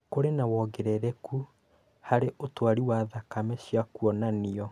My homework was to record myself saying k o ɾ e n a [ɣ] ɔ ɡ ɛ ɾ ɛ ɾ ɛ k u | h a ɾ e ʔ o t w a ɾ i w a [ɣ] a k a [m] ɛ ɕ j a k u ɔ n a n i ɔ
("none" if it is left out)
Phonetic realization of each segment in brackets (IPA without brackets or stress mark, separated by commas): w, ð, m